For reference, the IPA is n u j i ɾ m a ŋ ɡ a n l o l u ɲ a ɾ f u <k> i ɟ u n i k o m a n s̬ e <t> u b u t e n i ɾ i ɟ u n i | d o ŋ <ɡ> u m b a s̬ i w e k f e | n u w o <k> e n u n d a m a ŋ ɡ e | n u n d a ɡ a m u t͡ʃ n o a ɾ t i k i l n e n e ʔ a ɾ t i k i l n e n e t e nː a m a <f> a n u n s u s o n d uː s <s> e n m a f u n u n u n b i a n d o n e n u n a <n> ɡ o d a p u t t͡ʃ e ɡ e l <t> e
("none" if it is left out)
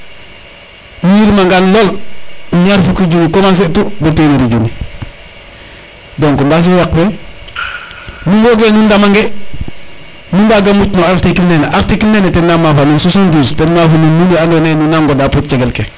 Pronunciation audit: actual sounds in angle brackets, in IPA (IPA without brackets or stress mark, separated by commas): k, t, k, ɡ, f, t, ŋ, k